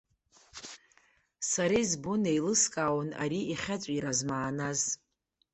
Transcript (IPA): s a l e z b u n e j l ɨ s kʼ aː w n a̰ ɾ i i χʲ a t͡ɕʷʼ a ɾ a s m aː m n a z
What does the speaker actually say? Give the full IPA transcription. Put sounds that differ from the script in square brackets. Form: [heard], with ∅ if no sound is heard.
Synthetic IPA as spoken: s a [ɾ] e z b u n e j l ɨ s kʼ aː w n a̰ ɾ i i χʲ a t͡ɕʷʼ [i] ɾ a [z] m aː [∅] n a z